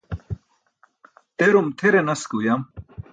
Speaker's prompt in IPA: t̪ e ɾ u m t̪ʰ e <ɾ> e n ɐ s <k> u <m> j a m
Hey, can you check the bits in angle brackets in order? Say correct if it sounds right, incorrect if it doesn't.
correct, correct, incorrect: none

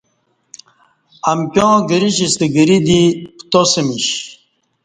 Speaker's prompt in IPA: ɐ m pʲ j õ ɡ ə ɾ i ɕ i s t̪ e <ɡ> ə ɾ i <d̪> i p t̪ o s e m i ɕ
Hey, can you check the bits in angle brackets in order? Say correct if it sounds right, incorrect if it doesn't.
correct, correct

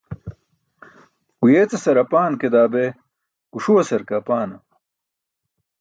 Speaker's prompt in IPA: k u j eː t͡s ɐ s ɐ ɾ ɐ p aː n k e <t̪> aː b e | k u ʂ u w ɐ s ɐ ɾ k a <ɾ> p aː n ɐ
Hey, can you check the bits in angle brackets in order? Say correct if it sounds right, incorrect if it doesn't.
incorrect: d̪, incorrect: none

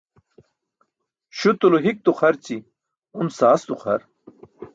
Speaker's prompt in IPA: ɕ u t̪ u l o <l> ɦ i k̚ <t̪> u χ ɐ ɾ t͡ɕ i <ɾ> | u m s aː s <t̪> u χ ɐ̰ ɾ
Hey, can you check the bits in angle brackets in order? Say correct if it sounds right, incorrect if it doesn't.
incorrect: none, correct, incorrect: none, correct

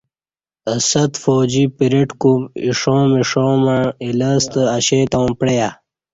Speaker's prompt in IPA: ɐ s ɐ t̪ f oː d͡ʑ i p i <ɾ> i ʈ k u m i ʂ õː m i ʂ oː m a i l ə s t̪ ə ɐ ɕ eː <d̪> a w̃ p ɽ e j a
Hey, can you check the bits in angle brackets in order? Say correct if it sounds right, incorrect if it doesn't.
correct, incorrect: t̪

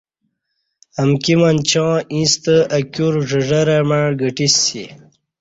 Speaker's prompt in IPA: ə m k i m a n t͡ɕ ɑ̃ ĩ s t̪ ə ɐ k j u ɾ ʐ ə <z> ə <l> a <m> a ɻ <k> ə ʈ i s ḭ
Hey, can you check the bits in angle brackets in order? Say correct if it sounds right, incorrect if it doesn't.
incorrect: ʐ, incorrect: ɾ, correct, incorrect: ɡ

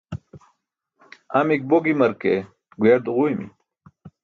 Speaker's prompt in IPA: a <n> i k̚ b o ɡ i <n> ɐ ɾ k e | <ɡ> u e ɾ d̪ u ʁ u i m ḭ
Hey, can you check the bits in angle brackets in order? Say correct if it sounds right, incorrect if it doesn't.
incorrect: m, incorrect: m, correct

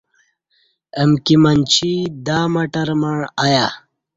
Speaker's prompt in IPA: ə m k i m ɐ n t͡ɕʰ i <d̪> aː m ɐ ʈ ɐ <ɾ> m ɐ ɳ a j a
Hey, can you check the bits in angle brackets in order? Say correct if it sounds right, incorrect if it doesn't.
correct, correct

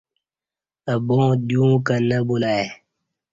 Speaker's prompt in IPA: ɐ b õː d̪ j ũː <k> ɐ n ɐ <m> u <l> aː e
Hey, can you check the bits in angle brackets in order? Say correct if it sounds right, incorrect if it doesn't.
correct, incorrect: b, correct

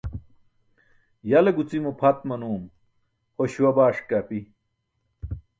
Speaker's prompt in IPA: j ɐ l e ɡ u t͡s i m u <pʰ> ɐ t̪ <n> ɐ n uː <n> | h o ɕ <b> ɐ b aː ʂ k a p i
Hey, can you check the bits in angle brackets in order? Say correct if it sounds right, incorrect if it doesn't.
correct, incorrect: m, incorrect: m, incorrect: w

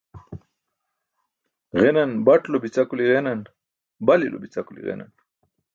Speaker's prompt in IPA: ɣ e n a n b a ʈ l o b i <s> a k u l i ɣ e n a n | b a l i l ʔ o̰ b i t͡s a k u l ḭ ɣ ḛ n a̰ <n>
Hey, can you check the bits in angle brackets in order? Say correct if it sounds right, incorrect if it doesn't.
incorrect: t͡s, correct

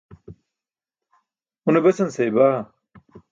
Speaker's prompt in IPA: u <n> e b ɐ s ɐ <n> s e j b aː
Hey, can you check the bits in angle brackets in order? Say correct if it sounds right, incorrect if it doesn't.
correct, correct

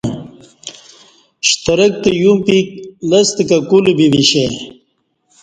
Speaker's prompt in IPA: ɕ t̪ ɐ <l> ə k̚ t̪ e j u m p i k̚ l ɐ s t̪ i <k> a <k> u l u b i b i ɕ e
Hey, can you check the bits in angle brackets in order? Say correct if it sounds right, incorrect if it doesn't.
incorrect: ɾ, correct, correct

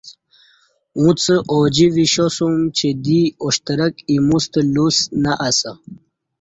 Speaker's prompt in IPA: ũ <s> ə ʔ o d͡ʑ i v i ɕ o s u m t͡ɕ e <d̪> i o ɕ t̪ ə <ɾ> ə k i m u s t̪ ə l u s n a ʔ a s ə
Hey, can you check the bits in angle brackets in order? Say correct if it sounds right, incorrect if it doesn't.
incorrect: t͡s, correct, correct

